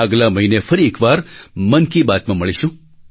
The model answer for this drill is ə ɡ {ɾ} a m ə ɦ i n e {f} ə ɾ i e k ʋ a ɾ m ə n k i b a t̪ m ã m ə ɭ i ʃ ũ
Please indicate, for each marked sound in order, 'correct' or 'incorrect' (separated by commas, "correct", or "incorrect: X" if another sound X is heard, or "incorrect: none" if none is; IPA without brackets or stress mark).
incorrect: l, correct